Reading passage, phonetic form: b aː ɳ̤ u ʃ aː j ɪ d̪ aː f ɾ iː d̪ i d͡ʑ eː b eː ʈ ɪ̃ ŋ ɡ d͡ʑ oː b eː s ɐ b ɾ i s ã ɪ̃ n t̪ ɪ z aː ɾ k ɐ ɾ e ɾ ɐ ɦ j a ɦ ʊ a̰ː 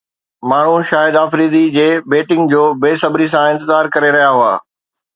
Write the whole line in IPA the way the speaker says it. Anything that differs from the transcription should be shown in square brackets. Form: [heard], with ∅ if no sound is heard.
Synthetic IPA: [m] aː ɳ̤ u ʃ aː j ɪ d̪ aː f ɾ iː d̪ i d͡ʑ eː b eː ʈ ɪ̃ ŋ ɡ d͡ʑ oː b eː s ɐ b ɾ i s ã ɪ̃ n t̪ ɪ z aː ɾ k ɐ ɾ e ɾ ɐ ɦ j a ɦ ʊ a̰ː